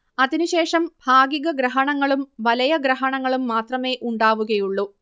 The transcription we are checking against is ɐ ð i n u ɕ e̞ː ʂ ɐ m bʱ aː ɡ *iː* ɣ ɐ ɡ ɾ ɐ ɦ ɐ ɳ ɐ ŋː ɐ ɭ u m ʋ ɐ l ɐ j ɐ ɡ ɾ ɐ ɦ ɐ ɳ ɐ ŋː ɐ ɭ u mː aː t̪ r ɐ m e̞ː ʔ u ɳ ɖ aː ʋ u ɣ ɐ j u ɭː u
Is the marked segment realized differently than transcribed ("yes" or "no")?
yes